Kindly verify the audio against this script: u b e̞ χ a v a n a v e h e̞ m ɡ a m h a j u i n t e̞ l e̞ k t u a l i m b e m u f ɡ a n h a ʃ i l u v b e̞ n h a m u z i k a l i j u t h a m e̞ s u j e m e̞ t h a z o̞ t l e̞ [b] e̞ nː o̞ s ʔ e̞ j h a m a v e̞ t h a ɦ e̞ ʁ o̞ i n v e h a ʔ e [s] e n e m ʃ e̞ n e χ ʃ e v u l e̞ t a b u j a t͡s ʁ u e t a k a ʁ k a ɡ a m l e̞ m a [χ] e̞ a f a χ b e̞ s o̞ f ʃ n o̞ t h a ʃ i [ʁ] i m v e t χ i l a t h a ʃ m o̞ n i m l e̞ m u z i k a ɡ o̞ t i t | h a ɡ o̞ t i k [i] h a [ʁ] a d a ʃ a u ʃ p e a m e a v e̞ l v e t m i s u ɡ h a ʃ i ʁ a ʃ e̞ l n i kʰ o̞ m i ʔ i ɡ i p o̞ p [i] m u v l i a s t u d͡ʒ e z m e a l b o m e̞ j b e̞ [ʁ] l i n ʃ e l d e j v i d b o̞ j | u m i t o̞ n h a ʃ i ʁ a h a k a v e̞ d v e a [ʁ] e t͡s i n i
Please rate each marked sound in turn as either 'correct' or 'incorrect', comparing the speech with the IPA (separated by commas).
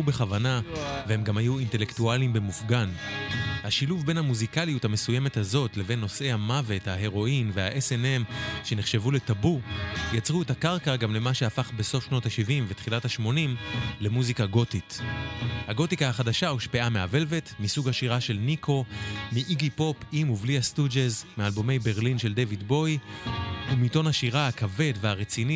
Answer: incorrect, correct, incorrect, incorrect, incorrect, incorrect, correct, correct, correct